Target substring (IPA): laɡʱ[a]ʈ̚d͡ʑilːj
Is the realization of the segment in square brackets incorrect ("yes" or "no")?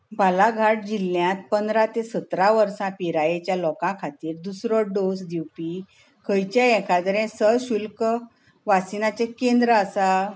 no